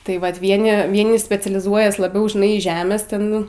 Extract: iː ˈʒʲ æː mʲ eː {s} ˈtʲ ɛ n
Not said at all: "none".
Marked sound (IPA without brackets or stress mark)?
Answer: s